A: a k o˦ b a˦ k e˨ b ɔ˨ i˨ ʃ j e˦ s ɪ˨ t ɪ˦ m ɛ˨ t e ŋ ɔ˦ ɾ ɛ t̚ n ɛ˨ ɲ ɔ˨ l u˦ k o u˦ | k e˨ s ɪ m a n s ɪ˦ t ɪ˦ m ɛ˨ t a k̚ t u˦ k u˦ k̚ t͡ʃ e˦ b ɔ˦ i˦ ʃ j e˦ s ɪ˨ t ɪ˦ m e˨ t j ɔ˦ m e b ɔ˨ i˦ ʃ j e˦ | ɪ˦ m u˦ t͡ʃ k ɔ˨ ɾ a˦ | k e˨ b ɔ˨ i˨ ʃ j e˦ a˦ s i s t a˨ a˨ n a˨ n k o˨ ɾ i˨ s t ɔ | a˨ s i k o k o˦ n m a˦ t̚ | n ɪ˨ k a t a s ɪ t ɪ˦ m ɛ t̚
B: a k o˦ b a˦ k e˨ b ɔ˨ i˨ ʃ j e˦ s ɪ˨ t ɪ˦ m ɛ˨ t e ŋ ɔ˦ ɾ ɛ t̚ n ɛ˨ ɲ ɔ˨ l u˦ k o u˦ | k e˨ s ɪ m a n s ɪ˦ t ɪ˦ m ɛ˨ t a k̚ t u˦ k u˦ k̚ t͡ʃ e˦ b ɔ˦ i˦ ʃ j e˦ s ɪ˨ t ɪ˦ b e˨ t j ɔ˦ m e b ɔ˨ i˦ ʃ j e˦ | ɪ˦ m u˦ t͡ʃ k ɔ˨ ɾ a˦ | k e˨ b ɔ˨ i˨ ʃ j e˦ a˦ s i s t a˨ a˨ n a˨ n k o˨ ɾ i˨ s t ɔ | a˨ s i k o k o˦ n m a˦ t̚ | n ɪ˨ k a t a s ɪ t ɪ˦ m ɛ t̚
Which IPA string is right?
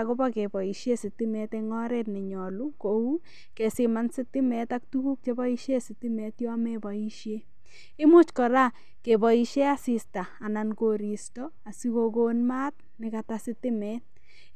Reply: A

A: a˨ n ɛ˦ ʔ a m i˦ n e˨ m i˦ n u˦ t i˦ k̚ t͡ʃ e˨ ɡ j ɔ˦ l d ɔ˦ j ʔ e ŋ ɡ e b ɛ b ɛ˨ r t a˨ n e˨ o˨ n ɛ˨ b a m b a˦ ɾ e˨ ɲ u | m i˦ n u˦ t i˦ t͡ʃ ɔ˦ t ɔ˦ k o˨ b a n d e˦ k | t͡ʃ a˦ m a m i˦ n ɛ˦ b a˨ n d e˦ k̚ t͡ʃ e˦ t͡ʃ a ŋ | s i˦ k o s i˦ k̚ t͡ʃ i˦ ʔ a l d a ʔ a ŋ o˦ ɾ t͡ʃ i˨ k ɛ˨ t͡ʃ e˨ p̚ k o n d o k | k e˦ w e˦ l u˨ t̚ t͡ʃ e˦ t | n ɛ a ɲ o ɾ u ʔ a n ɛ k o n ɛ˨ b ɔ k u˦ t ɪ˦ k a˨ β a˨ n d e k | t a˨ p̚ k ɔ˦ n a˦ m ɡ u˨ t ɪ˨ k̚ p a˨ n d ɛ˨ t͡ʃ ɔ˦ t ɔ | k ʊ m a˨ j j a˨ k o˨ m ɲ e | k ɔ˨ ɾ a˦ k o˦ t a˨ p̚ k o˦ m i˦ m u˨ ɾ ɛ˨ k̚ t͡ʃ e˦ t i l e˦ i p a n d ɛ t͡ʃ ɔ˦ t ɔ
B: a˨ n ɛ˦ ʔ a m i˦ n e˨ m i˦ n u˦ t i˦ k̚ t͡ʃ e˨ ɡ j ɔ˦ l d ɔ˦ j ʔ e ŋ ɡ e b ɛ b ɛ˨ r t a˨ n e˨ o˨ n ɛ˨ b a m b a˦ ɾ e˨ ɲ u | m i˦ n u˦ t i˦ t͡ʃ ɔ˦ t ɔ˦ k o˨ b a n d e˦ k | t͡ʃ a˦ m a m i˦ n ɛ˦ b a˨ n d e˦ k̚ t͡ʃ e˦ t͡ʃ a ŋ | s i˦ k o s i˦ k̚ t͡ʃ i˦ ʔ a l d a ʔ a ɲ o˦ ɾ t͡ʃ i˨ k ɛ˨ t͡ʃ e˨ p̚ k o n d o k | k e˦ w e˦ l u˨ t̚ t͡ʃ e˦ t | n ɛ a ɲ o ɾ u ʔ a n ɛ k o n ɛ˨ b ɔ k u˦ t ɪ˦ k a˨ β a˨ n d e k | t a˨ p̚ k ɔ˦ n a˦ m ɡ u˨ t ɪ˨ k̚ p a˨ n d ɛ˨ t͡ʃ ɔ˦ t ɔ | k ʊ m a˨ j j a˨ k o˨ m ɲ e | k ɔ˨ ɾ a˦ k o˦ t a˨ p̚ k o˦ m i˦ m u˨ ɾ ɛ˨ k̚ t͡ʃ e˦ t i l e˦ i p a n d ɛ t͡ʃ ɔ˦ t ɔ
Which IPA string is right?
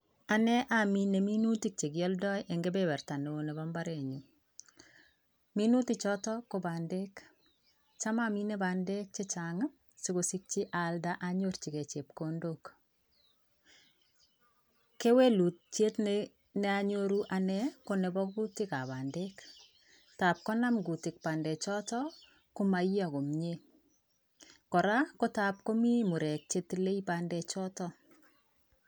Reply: B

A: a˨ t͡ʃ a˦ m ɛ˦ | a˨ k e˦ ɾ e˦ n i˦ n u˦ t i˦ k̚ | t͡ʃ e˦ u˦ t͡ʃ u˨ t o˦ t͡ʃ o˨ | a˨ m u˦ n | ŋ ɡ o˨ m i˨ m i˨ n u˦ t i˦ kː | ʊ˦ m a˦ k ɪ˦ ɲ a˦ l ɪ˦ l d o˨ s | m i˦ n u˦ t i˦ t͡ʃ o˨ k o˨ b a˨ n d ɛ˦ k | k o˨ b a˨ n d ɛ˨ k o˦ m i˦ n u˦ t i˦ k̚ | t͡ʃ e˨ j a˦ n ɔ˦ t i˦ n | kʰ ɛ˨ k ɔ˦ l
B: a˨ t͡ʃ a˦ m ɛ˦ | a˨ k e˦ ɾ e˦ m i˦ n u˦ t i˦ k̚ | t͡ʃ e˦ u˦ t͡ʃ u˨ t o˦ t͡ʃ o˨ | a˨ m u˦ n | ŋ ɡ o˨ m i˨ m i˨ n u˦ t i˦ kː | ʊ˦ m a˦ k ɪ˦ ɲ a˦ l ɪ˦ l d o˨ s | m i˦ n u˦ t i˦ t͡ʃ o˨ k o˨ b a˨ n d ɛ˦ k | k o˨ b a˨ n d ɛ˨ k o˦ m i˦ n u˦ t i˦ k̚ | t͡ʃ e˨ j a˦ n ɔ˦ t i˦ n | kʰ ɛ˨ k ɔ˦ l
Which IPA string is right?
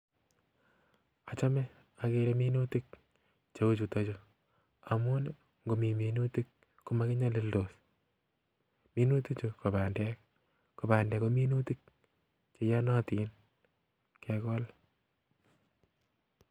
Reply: B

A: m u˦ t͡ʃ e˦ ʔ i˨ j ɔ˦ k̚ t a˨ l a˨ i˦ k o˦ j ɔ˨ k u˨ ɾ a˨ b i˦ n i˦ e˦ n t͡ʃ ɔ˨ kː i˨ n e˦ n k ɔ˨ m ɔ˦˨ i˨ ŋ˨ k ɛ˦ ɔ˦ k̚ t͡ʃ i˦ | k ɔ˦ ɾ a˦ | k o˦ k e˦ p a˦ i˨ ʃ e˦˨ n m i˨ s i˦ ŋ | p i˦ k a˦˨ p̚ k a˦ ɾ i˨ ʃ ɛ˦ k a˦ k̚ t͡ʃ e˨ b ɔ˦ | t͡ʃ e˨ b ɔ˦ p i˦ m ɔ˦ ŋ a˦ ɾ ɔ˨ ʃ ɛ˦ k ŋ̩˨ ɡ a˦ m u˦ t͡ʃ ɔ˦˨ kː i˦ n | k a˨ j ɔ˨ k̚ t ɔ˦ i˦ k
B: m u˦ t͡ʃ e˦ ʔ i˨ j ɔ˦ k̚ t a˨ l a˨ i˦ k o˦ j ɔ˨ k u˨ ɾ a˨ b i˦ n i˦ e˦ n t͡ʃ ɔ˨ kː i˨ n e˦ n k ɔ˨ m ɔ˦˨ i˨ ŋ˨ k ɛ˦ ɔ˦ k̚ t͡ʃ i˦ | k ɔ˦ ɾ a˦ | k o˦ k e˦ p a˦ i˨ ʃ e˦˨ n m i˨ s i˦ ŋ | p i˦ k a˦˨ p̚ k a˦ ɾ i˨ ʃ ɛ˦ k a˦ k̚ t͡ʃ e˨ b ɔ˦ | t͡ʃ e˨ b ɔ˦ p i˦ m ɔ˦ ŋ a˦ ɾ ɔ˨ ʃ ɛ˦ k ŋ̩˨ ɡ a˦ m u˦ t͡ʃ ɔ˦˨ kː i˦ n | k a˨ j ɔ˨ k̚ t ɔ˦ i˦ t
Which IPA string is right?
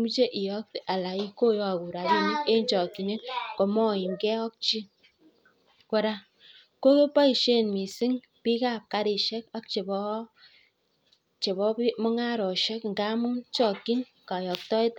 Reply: B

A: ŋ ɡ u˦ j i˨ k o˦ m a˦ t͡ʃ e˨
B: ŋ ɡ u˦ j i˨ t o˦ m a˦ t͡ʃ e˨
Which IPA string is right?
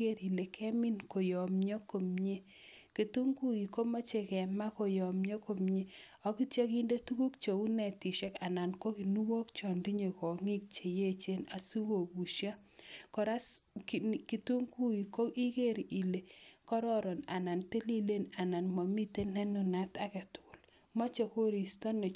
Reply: A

